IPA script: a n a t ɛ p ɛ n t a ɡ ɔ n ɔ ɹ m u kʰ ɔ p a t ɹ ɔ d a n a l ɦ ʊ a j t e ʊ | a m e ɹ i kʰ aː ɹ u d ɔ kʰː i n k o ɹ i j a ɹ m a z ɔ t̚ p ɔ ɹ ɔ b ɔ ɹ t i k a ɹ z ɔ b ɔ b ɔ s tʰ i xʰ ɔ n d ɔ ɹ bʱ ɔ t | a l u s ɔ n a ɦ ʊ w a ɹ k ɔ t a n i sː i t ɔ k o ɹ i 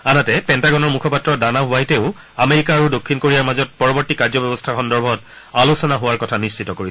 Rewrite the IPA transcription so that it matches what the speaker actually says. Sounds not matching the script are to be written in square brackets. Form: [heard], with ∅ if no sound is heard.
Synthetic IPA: a n a t ɛ p ɛ n t a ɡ ɔ n ɔ ɹ m u kʰ ɔ p a t ɹ ɔ d a n a [∅] ɦ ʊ a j t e ʊ | a m e ɹ i [k] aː ɹ u d [o] kʰː i n k o ɹ i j a ɹ m a z ɔ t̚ p ɔ ɹ ɔ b ɔ ɹ t i k a ɹ z ɔ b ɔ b ɔ s tʰ [a] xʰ ɔ n d ɔ ɹ bʱ ɔ t | a l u s ɔ n a ɦ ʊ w a ɹ k ɔ [tʰ] a n i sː i t ɔ k o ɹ i

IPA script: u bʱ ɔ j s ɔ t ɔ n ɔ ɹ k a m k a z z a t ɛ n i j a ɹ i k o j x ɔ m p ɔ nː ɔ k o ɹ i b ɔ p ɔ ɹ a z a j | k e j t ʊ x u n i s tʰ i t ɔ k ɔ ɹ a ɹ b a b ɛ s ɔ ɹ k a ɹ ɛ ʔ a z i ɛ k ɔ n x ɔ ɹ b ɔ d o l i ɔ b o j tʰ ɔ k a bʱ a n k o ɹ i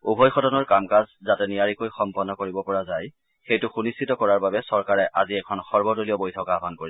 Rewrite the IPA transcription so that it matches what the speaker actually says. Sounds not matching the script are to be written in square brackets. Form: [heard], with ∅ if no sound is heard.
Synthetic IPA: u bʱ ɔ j [x] ɔ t ɔ n ɔ ɹ k a m k a z z a t ɛ n i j a ɹ i k o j x ɔ m p ɔ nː ɔ k o ɹ i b ɔ p ɔ ɹ a z a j | [x] e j t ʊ x u n i s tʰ i t ɔ k ɔ ɹ a ɹ b a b ɛ s ɔ ɹ k a ɹ ɛ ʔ a z i ɛ [kʰ] ɔ n x ɔ ɹ b ɔ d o l i ɔ b o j tʰ ɔ k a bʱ a n k o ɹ i

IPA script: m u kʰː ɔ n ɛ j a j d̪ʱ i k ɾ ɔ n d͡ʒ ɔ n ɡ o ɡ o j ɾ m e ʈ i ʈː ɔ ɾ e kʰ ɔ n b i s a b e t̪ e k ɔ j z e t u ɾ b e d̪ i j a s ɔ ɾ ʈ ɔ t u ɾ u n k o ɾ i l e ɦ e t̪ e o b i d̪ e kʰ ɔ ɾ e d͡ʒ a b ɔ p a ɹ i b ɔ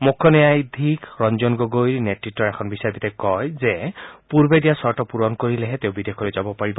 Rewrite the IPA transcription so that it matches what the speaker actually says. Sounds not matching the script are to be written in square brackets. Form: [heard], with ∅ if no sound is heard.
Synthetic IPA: m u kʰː ɔ n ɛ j a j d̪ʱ i k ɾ ɔ n d͡ʒ ɔ n ɡ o ɡ o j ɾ [n] e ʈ i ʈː ɔ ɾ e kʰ ɔ n b i s a b [i] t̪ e k ɔ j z e [p] u ɾ b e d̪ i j a s ɔ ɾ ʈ ɔ [p] u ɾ [ɔ] n k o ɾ i l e ɦ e t̪ e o b i d̪ e kʰ ɔ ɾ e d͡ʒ a b ɔ p a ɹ i b ɔ

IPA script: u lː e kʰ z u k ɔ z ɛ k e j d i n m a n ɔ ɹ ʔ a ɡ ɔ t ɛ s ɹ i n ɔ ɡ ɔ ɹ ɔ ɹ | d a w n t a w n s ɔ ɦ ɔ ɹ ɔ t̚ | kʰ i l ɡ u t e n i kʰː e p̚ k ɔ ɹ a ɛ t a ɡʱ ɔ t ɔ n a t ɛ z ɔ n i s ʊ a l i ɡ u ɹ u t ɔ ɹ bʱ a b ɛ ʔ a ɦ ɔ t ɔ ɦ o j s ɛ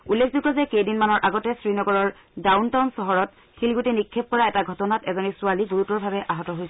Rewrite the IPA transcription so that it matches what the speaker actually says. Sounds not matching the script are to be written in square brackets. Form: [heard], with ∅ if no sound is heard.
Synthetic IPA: u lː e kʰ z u k ɔ z ɛ k e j d i n m a n ɔ ɹ ʔ a ɡ ɔ t ɛ s ɹ i n ɔ ɡ ɔ ɹ ɔ ɹ | d a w n t a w n s ɔ ɦ ɔ ɹ ɔ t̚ | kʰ i l ɡ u t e n i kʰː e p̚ k ɔ ɹ a ɛ t a ɡʱ ɔ t ɔ n a t ɛ z ɔ n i s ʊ a l i ɡ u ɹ u t ɔ ɹ bʱ a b ɛ ʔ a ɦ ɔ t ɔ ɦ o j s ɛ

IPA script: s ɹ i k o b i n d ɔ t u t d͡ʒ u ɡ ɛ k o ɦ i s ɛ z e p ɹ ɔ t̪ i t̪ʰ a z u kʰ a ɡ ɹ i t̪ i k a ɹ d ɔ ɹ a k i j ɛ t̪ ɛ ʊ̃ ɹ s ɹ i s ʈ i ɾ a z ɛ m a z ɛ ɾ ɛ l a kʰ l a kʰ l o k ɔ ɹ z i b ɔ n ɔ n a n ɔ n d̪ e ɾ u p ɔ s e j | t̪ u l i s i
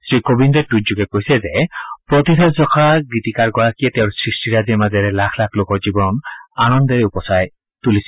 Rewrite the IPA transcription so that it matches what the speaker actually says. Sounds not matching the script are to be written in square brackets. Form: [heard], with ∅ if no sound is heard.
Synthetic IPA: s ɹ i k o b i n d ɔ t u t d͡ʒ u ɡ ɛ k o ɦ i s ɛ z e p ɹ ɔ t̪ i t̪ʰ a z [ɔ] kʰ a ɡ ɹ i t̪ i k a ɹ [ɡ] ɔ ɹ a k i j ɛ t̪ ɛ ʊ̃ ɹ s ɹ i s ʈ i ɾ a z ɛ m a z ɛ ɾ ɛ l a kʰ l a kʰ l o k ɔ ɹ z i b ɔ n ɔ n a n ɔ n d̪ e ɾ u p ɔ s [a] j | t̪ u l i s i

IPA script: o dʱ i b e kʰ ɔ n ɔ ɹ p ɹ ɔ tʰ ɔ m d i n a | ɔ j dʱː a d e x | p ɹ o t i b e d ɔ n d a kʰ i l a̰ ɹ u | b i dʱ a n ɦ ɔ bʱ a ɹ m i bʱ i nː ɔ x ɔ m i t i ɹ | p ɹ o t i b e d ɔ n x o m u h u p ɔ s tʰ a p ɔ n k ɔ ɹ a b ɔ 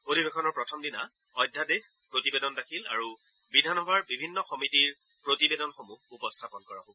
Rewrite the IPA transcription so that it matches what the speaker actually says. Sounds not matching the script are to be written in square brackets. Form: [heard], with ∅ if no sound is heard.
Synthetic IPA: o dʱ i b e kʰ ɔ n ɔ ɹ p ɹ ɔ tʰ ɔ m d i n a | ɔ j dʱː a d e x | p ɹ o t i b e d ɔ n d a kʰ i l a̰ ɹ u | b i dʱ a n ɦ ɔ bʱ a ɹ [b] i bʱ i nː ɔ x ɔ m i t i ɹ | p ɹ o t i b e d ɔ n x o m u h u p ɔ s tʰ a p ɔ n k ɔ ɹ a b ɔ

